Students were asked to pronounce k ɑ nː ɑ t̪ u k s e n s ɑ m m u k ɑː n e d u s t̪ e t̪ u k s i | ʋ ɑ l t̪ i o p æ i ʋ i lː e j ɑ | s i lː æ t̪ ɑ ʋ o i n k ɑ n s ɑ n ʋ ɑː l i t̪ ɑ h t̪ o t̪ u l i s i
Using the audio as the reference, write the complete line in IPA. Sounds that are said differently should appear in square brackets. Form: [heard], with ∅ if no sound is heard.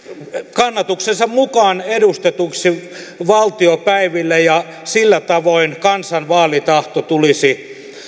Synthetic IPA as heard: k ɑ nː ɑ t̪ u k s e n s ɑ m m u k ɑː n e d u s t̪ e t̪ u k s i | ʋ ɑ l t̪ i o p æ i ʋ i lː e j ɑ | s i lː æ t̪ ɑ ʋ o i n k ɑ n s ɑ n ʋ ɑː l i t̪ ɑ h t̪ o t̪ u l i s i